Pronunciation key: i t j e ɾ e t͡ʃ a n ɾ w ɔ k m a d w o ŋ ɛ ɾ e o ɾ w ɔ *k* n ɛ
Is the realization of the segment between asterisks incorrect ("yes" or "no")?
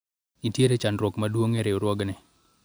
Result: yes